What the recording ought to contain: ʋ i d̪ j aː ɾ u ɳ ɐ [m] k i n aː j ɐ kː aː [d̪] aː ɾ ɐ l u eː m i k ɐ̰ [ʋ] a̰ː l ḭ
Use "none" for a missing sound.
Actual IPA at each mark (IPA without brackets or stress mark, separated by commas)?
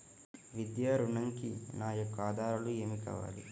ŋ, d̪, ʋ